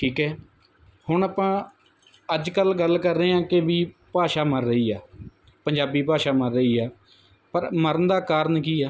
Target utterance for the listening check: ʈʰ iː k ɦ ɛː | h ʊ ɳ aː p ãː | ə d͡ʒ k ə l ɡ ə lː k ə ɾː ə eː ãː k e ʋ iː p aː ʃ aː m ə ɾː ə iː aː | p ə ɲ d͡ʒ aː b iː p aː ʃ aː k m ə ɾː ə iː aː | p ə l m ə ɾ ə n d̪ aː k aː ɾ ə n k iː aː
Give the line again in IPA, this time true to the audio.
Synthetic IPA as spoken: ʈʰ iː k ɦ ɛː | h ʊ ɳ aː p ãː | ə d͡ʒ k ə l ɡ ə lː k ə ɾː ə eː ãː k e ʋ iː p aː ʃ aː m ə ɾː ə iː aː | p ə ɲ d͡ʒ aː b iː p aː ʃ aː m ə ɾː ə iː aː | p ə ɾ m ə ɾ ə n d̪ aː k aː ɾ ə n k iː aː

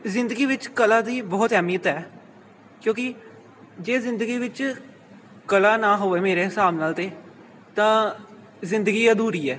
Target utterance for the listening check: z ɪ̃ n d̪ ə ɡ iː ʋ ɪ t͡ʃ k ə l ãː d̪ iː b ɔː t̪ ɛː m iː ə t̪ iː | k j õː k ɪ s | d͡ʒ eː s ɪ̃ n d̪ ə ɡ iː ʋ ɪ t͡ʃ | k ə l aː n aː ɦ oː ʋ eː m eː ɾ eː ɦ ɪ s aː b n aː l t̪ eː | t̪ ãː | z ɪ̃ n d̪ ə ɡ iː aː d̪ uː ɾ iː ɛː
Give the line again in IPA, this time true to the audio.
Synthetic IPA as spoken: z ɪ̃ n d̪ ə ɡ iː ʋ ɪ t͡ʃ k ə l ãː d̪ iː b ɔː t̪ ɛː m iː ə t̪ ɛː | k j õː k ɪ | d͡ʒ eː z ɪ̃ n d̪ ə ɡ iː ʋ ɪ t͡ʃ | k ə l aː n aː ɦ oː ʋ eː m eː ɾ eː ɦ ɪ s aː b n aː l t̪ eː | t̪ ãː | z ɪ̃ n d̪ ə ɡ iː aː d̪ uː ɾ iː ɛː

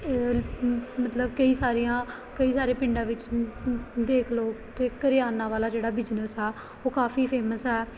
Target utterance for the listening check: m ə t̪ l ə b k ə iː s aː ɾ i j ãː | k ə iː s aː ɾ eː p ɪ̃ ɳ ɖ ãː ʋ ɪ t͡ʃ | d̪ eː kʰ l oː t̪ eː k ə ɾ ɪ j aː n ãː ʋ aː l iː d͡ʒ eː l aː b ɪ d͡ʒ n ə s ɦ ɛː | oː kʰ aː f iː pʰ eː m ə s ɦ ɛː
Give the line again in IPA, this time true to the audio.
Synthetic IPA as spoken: m ə t̪ l ə b k ə iː s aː ɾ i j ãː | k ə iː s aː ɾ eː p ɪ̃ ɳ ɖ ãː ʋ ɪ t͡ʃ | d̪ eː kʰ l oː t̪ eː k ə ɾ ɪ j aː n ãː ʋ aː l aː d͡ʒ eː ɽ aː b ɪ d͡ʒ n ə s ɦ ɛː | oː k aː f iː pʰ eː m ə s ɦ ɛː

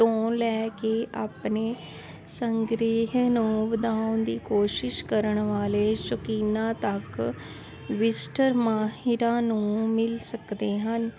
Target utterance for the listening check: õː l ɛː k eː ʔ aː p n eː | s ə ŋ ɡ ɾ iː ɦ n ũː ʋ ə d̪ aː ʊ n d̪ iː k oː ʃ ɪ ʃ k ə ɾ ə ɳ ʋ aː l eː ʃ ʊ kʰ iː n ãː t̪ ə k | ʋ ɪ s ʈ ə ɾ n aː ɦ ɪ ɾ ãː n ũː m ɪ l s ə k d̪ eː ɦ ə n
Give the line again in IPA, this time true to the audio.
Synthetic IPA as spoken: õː l ɛː k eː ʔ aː p n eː | s ə ŋ ɡ ɾ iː ɦ n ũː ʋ ə d̪ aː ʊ n d̪ iː k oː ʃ ɪ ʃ k ə ɾ ə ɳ ʋ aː l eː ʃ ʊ k iː n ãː t̪ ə k | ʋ ɪ s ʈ ə ɾ m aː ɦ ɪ ɾ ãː n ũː m ɪ l s ə k d̪ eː ɦ ə n

